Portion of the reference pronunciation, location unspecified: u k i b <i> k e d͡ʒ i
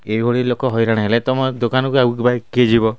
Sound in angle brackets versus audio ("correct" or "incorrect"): incorrect